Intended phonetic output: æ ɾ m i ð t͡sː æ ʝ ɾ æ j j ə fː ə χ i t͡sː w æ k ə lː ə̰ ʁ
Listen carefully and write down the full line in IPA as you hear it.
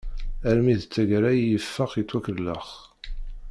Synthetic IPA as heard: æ ɾ m i ð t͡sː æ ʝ ɾ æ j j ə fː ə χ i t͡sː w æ k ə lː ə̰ χ